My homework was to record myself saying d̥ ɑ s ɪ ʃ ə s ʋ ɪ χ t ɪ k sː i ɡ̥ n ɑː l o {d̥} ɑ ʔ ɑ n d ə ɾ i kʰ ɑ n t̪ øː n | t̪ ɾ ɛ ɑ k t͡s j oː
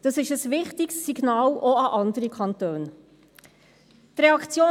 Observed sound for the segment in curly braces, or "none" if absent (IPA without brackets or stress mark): none